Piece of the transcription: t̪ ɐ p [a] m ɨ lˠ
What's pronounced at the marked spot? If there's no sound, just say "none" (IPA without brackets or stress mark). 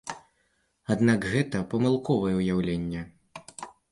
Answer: ɐ